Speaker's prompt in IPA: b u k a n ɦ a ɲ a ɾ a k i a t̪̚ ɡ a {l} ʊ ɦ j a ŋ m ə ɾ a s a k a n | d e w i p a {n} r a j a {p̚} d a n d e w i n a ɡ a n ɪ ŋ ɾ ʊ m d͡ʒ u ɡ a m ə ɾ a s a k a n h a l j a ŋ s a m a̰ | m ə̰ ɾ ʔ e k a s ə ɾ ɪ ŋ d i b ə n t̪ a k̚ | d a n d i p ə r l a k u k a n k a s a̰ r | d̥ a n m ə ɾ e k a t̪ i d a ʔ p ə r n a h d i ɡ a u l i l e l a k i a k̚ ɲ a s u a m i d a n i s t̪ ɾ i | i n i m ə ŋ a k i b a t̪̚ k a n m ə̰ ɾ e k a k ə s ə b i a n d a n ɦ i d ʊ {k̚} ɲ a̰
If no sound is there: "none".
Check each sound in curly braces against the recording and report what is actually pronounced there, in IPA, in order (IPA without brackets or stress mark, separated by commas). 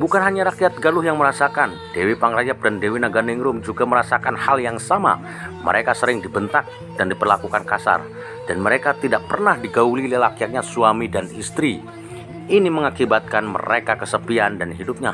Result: l, ŋ, p̚, p̚